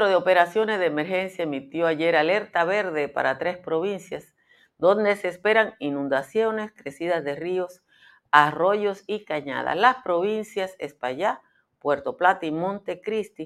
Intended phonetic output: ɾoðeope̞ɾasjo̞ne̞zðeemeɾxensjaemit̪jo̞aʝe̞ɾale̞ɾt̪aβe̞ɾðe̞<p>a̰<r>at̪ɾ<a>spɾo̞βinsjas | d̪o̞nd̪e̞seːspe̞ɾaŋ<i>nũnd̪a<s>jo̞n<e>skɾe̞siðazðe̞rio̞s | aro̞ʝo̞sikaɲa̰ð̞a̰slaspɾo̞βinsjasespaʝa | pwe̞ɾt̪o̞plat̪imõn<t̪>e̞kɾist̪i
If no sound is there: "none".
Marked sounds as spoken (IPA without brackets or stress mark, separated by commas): p, ɾ, e, i, s, e, t̪